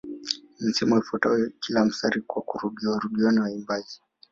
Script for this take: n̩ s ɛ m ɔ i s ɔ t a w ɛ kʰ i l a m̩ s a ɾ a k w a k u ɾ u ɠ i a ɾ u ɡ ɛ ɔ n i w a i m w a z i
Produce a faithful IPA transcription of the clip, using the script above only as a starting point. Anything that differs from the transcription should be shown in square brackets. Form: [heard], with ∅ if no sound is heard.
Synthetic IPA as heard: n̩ s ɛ m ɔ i [f] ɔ t a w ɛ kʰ i l a m̩ s a ɾ [i] k w a k u ɾ u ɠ i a ɾ u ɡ [i] ɔ n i w a i m [b] a z i